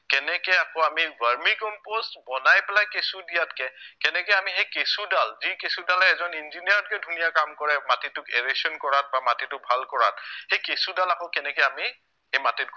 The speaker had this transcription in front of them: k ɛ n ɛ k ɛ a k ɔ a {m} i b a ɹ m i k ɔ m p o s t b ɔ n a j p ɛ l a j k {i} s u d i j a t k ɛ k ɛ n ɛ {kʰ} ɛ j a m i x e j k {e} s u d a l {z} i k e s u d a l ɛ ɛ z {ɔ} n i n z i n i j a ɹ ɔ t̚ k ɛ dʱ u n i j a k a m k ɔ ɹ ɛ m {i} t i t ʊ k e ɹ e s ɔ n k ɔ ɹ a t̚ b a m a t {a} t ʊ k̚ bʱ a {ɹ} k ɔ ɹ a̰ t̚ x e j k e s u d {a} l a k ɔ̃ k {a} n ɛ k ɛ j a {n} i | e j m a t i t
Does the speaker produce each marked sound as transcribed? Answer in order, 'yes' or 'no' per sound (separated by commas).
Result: yes, no, no, yes, yes, yes, no, no, no, yes, no, no